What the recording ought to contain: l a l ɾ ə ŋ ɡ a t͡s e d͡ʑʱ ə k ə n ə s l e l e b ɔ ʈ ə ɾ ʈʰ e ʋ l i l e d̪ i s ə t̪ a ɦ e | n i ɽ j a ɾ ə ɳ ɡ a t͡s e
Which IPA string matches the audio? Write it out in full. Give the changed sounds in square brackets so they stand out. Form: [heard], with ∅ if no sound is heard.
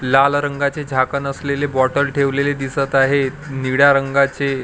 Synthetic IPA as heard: l a l ɾ ə ŋ ɡ a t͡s e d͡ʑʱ [a] k ə n ə s l e l e b ɔ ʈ ə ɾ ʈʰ e ʋ l [e] l e d̪ i s ə t̪ a ɦ e | n i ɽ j a ɾ ə [ŋ] ɡ a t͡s e